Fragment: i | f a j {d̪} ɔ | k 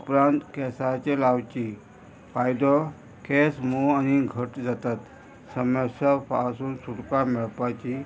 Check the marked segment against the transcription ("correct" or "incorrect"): correct